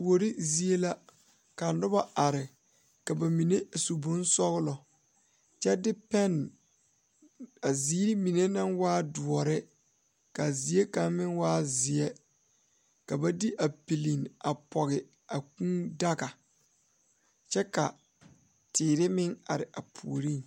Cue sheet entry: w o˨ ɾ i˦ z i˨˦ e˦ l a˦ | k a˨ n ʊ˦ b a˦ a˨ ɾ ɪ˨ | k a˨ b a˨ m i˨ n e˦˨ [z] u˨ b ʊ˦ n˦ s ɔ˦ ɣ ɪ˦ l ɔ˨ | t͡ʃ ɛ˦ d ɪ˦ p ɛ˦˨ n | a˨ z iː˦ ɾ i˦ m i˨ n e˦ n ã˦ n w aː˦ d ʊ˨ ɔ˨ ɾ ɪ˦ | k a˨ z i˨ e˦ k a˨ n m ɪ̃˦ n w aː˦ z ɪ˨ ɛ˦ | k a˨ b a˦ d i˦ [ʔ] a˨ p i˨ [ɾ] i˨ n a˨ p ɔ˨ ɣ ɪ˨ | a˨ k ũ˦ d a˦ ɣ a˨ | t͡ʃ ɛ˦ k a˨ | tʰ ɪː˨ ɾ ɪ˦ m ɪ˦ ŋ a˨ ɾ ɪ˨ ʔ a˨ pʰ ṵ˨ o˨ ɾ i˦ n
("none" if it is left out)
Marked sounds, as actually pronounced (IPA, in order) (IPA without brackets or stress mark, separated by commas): s, ʔ, l